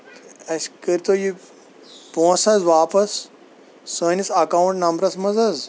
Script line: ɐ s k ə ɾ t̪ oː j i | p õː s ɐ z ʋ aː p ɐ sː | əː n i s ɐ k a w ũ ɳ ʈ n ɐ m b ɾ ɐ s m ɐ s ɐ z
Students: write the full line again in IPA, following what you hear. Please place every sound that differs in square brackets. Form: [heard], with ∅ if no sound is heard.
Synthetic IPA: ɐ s k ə ɾ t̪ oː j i | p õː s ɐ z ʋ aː p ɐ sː | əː n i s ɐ k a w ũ ɳ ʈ n ɐ m b ɾ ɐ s m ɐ [z] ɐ z